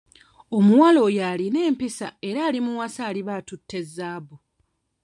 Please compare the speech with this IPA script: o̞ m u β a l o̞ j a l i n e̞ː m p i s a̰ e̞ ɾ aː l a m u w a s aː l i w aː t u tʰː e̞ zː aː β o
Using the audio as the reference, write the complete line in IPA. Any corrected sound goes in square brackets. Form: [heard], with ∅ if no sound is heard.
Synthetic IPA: o̞ m u [w] a l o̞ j a l i n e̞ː m p i s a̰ e̞ ɾ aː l [i] m u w a s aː l i [β] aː t u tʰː e̞ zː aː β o